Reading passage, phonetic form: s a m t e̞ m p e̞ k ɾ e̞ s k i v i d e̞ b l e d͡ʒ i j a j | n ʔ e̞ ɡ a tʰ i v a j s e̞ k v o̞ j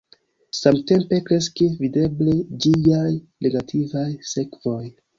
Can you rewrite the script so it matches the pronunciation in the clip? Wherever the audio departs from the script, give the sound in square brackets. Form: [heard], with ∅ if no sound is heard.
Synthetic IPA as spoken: s a m t e̞ m p e̞ k ɾ e̞ s k i v i d e̞ b l e d͡ʒ i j a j | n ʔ e̞ ɡ a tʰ i v a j s e̞ k v o̞ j